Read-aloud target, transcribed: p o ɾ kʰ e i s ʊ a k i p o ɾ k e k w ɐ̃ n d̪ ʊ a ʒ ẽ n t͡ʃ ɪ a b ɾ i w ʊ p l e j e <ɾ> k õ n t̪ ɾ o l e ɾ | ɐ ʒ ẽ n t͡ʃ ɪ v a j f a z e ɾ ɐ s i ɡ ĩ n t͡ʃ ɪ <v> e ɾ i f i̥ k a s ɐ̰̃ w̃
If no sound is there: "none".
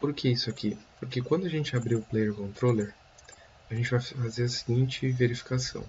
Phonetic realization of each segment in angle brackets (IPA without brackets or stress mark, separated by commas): ɾ, v